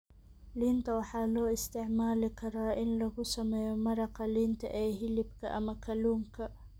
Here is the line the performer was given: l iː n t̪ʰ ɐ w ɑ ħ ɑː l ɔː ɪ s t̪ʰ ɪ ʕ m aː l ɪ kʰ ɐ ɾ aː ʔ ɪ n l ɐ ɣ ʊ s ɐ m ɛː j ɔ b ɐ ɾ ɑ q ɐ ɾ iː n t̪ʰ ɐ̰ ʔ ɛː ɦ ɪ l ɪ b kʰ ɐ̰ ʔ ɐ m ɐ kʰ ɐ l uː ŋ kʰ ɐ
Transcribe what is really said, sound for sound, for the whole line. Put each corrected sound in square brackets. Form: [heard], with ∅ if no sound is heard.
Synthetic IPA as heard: l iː n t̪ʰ ɐ w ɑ ħ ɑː l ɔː ɪ s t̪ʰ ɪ ʕ m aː l ɪ kʰ ɐ ɾ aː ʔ ɪ n l ɐ ɣ ʊ s ɐ m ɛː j ɔ [m] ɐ ɾ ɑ q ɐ [l] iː n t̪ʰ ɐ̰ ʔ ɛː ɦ ɪ l ɪ b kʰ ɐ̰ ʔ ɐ m ɐ kʰ ɐ l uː ŋ kʰ ɐ